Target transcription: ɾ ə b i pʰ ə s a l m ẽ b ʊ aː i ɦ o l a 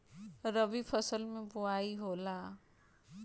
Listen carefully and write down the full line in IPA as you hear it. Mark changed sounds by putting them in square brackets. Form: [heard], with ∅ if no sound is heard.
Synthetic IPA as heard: ɾ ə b i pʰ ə s [ə] l m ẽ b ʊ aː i ɦ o l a